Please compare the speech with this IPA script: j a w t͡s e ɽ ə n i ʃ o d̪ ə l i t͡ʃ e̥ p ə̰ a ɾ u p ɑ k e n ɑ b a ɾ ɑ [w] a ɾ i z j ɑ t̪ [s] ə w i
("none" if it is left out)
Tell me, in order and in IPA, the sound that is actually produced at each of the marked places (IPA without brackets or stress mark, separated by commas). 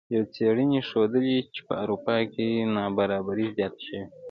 b, ʃ